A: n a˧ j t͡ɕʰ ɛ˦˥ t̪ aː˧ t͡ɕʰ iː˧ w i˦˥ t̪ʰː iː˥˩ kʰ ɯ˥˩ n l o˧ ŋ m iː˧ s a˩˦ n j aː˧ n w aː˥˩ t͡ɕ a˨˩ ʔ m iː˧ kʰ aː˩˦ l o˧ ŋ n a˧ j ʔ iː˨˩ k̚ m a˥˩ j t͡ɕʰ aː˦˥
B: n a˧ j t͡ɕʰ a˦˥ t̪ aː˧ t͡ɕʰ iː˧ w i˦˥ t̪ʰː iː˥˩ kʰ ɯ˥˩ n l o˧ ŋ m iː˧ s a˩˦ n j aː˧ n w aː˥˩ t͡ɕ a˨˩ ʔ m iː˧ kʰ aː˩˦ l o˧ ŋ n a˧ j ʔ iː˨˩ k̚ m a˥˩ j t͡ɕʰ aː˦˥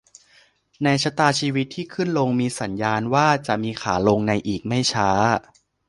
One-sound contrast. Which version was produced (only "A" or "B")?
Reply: B